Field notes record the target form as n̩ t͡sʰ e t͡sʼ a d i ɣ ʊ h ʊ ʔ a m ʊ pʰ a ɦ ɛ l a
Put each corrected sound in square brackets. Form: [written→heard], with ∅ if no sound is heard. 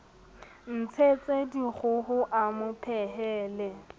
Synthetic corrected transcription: n̩ t͡sʰ e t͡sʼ [a→e] d i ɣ ʊ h ʊ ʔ a m ʊ pʰ [a→ɛ] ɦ [ɛ→ɛː] l [a→ɛ]

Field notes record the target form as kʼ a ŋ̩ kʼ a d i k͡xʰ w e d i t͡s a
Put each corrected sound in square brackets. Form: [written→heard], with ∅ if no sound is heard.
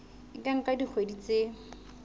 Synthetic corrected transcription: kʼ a ŋ̩ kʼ a d i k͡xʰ w e d i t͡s [a→e]

